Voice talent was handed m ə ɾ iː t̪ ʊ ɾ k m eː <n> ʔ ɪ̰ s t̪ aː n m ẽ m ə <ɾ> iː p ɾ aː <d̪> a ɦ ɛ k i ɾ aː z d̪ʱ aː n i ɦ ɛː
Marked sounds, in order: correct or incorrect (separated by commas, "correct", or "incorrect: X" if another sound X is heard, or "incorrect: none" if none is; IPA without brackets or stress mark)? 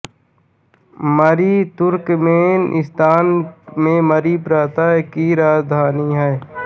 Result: correct, correct, incorrect: t̪